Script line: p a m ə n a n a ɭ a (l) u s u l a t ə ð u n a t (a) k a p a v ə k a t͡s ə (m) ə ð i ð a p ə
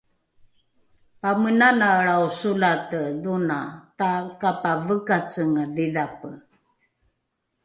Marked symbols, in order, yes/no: no, yes, no

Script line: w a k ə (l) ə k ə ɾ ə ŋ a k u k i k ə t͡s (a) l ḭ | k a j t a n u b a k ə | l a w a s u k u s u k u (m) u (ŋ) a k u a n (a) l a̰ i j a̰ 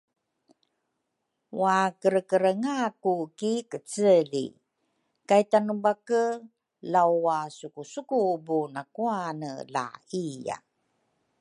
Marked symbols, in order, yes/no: no, no, no, no, no

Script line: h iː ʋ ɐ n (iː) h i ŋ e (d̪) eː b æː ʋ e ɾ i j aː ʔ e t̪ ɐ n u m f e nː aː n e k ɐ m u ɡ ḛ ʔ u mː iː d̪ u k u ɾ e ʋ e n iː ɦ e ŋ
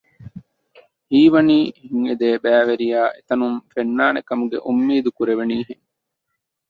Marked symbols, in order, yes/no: yes, yes

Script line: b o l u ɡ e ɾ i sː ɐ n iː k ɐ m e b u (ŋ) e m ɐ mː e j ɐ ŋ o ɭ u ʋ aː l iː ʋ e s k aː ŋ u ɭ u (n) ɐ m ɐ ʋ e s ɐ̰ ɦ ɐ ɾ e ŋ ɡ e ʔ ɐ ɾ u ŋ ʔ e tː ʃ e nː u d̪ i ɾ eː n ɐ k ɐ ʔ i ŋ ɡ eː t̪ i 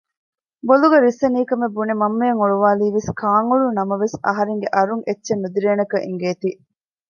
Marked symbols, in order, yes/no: no, yes

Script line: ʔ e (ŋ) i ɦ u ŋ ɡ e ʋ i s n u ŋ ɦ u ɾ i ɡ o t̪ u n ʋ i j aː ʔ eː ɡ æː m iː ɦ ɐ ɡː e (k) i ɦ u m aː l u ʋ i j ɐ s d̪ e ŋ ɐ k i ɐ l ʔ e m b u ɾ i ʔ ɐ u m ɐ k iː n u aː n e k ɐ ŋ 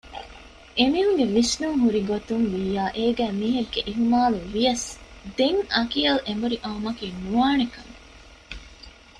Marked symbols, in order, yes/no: no, no

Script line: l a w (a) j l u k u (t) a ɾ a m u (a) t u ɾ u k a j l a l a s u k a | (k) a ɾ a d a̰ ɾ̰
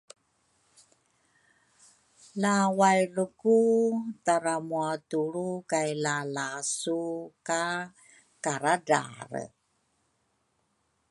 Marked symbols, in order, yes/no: yes, yes, yes, yes

